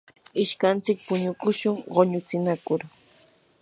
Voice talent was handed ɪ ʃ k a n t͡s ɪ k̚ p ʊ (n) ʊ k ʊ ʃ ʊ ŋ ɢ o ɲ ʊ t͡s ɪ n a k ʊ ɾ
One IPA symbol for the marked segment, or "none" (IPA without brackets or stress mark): ɲ